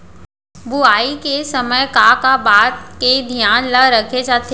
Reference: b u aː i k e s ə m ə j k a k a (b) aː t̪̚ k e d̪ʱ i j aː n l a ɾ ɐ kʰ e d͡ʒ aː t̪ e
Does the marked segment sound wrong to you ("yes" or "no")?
no